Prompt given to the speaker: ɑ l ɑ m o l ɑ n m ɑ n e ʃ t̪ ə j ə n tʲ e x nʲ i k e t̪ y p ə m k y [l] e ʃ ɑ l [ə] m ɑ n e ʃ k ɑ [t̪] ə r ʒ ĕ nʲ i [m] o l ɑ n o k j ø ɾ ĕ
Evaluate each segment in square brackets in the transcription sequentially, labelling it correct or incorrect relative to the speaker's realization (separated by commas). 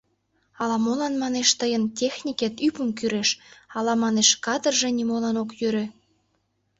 incorrect, incorrect, incorrect, correct